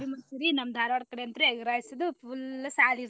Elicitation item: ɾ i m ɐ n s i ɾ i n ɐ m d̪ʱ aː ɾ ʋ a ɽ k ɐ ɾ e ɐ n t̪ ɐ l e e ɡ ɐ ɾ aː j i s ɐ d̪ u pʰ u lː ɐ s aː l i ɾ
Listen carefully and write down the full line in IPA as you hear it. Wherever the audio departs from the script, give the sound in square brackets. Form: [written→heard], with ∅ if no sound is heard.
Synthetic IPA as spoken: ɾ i m ɐ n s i ɾ i n ɐ m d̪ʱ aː ɾ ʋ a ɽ k ɐ [ɾ→ɽ] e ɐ n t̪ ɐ [l→ɾ] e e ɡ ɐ ɾ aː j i s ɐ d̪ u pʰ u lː ɐ s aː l i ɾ